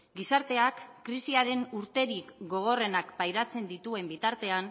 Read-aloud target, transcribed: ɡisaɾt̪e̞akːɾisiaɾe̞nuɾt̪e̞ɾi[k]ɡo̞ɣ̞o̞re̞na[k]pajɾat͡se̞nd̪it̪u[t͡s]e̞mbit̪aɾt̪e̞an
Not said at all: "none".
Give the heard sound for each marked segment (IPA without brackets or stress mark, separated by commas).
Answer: k, k, none